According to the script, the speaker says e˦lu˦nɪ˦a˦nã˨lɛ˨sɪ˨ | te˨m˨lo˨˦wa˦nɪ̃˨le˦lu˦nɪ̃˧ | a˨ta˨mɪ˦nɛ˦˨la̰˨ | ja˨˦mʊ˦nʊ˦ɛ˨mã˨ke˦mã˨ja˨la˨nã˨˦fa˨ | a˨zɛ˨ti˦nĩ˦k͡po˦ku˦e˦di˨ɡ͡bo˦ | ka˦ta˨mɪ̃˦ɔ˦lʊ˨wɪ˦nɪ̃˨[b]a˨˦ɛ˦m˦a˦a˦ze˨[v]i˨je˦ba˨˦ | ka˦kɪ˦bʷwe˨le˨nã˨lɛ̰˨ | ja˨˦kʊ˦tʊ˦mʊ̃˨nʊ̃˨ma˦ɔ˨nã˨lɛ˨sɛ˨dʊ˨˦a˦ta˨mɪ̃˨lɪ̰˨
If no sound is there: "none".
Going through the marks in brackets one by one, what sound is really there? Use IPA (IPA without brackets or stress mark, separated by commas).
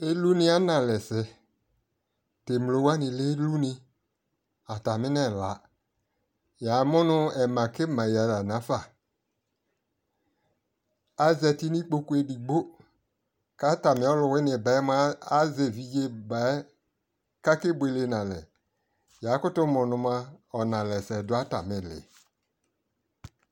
b, v